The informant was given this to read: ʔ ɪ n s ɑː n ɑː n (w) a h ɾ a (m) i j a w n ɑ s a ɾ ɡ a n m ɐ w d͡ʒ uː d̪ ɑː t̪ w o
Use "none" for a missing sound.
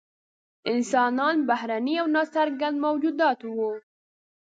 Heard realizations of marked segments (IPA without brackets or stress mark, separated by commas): b, n